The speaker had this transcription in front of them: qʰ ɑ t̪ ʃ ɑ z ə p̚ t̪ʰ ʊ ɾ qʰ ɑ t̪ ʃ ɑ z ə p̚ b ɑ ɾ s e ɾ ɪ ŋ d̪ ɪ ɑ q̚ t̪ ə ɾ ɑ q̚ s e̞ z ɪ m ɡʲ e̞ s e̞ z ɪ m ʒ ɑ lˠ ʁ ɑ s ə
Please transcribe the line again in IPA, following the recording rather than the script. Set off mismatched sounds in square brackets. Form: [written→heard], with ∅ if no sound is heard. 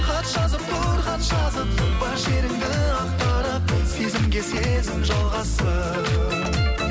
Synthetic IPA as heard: qʰ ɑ t̪ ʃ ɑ z ə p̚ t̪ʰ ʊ ɾ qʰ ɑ t̪ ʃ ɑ z ə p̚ b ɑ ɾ [s→ʃ] e ɾ ɪ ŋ d̪ ɪ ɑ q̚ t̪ [ə→ɑ] ɾ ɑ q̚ s e̞ z ɪ m ɡʲ e̞ s e̞ z ɪ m ʒ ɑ lˠ ʁ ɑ s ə